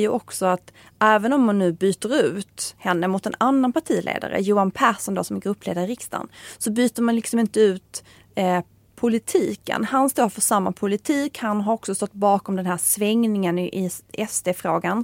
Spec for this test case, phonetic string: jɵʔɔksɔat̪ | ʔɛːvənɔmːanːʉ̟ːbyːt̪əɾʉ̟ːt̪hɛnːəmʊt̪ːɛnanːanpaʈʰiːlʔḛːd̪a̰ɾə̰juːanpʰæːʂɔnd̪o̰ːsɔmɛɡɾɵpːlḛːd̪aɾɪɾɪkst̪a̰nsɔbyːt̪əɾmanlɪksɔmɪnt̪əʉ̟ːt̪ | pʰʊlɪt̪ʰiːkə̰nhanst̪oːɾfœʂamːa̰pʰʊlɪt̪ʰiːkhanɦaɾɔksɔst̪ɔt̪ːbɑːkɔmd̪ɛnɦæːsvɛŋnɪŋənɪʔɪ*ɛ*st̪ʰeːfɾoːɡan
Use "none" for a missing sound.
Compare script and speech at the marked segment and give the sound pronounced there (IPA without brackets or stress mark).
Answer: ɛ